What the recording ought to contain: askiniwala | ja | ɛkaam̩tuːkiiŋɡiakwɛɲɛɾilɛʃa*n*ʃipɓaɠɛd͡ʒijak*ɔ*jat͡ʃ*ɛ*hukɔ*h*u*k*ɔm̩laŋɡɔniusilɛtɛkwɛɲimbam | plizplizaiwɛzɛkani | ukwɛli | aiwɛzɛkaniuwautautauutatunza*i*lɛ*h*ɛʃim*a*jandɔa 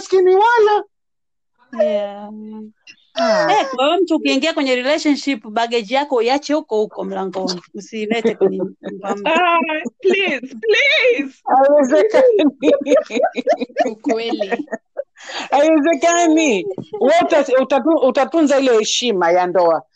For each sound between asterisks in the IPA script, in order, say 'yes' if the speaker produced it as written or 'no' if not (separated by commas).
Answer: yes, yes, yes, yes, yes, yes, yes, yes